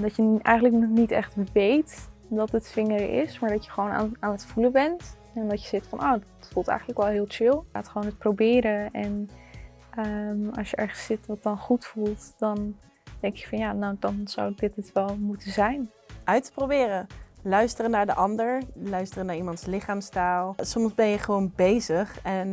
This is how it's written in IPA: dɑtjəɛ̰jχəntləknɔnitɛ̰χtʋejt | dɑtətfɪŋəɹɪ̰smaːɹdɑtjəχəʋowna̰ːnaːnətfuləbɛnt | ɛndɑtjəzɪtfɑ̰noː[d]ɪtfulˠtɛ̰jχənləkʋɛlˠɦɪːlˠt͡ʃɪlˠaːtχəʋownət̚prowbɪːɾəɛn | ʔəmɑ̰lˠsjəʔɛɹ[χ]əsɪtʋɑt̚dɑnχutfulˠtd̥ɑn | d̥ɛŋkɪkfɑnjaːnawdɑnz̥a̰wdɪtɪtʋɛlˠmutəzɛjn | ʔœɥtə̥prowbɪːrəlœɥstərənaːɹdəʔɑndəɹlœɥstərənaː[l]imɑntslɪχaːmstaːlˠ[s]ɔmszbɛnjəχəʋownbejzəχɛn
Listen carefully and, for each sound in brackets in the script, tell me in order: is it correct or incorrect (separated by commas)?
correct, correct, incorrect, correct